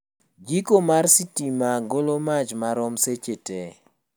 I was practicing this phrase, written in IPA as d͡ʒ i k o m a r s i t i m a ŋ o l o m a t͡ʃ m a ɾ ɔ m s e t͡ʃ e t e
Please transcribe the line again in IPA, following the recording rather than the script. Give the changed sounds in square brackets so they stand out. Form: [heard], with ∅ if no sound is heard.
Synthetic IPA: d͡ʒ i k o m a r s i t i m a [ɡ] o l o m a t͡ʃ m a ɾ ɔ m s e t͡ʃ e t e